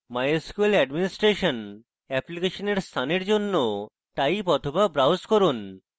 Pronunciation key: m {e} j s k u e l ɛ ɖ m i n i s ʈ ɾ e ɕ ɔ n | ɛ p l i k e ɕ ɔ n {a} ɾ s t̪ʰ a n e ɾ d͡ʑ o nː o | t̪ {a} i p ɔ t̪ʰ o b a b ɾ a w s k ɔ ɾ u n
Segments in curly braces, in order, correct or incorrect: incorrect, incorrect, correct

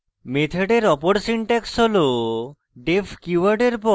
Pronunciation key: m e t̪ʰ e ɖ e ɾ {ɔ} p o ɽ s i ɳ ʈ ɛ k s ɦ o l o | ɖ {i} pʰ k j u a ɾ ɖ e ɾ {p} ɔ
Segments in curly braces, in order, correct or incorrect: correct, incorrect, correct

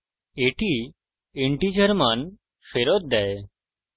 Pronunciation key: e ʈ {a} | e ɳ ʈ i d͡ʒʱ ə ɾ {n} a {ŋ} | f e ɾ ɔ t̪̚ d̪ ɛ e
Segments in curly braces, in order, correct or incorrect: incorrect, incorrect, incorrect

